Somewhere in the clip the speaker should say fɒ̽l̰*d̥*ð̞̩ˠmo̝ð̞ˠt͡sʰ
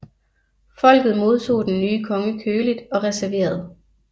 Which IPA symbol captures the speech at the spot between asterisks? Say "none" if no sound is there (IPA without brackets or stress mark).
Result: ɡ̥